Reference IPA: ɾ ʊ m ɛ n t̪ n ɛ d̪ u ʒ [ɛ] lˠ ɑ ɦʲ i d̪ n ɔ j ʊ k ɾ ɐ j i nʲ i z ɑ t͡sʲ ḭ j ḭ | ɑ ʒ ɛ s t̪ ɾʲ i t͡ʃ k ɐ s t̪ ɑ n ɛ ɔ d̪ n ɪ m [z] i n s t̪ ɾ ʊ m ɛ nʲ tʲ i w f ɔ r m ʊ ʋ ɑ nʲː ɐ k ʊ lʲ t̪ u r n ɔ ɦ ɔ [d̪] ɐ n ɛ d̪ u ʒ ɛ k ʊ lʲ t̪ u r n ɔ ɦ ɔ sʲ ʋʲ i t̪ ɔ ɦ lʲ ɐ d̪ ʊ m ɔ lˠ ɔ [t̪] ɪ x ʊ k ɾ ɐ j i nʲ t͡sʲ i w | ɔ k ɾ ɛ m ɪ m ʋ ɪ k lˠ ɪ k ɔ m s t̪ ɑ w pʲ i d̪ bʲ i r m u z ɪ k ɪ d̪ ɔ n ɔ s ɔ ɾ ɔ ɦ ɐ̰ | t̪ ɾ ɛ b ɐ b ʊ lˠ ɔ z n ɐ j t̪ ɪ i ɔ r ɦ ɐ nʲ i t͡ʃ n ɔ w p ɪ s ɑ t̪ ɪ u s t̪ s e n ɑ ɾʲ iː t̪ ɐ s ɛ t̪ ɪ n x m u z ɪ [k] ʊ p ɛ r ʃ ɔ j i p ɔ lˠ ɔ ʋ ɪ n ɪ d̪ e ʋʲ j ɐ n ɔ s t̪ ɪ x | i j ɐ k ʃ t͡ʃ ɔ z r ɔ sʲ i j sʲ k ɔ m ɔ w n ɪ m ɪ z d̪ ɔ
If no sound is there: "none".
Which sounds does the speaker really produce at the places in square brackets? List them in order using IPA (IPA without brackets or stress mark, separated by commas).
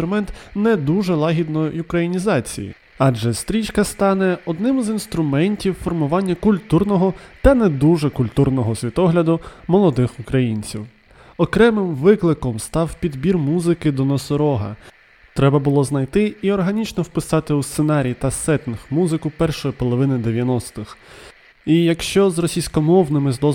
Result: ɛ, z, t̪, d̪, k